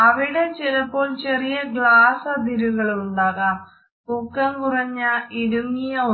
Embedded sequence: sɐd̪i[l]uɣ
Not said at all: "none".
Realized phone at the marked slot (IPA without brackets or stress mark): ɾ